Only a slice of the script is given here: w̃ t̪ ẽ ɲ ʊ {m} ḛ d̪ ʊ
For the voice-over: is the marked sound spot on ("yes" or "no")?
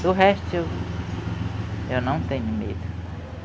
yes